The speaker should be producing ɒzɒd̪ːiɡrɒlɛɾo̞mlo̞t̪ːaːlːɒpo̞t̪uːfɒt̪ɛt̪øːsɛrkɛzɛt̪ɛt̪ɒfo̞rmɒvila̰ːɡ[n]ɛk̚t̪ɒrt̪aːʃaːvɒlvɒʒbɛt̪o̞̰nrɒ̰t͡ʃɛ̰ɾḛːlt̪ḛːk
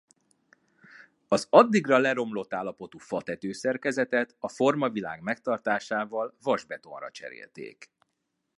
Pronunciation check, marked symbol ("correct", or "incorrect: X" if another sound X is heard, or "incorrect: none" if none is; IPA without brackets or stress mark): incorrect: m